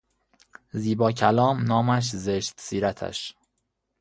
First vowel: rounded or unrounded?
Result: unrounded